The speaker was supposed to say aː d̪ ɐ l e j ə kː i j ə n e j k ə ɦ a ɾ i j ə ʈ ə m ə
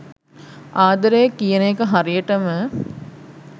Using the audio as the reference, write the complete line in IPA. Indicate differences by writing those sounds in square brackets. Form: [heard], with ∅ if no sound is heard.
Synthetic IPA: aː d̪ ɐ [ɾ] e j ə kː i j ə n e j k ə ɦ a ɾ i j ə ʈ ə m ə